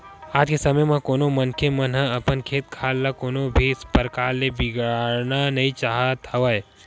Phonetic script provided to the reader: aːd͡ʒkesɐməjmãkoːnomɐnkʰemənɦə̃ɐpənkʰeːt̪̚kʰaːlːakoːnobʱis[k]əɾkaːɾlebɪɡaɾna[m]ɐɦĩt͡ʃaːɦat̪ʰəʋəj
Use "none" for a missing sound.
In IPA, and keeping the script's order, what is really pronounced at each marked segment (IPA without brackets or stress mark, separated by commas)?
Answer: p, n